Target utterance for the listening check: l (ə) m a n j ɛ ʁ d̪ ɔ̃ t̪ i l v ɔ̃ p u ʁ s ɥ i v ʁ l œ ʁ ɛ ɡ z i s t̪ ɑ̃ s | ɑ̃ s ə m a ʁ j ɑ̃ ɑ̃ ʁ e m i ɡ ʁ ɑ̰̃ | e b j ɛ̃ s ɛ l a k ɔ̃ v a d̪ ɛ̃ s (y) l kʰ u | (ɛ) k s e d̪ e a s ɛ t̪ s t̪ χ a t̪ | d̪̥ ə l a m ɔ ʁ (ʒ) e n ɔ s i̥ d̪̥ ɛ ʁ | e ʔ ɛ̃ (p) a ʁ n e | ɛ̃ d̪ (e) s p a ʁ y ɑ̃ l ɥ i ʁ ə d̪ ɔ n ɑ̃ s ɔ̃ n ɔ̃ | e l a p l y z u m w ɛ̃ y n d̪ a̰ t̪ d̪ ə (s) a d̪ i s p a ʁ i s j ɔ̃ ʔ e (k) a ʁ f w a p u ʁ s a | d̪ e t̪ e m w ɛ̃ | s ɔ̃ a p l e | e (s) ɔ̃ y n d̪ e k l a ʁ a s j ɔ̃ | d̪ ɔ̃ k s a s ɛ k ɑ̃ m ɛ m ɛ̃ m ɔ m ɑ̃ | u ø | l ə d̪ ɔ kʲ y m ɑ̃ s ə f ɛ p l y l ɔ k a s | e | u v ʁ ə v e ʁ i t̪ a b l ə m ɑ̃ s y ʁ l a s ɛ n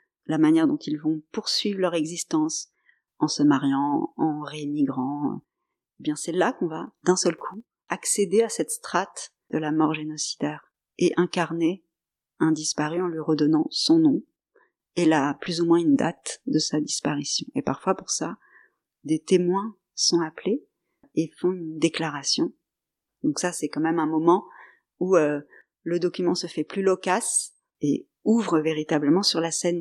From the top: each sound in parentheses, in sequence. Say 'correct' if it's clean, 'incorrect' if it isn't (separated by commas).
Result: incorrect, incorrect, incorrect, correct, incorrect, incorrect, correct, incorrect, incorrect